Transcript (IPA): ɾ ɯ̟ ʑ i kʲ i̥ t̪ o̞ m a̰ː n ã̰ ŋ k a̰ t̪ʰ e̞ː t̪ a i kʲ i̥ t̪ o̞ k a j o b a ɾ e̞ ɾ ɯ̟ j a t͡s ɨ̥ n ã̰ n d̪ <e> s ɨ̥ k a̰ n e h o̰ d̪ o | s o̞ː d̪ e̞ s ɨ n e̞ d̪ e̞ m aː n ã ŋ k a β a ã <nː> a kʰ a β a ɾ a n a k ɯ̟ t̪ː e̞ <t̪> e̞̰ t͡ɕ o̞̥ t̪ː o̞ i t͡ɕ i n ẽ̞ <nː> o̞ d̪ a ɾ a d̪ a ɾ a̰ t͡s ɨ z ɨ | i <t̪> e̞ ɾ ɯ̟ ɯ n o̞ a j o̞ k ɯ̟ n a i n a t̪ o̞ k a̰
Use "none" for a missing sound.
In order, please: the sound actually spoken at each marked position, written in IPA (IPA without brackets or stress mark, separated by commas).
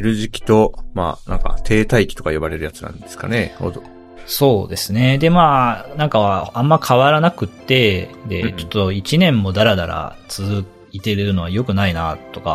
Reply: e, mː, d̪, mː, t̪